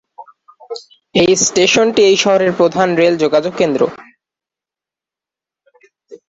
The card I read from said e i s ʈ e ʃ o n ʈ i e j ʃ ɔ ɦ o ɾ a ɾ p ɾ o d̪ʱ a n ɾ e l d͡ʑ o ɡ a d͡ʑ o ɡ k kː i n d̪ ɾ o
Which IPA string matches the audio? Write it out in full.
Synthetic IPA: e j s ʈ e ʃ o n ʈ i e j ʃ ɔ ɦ o ɾ e ɾ p ɾ o d̪ʱ a n ɾ e l d͡ʑ o ɡ a d͡ʑ o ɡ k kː e n d̪ ɾ o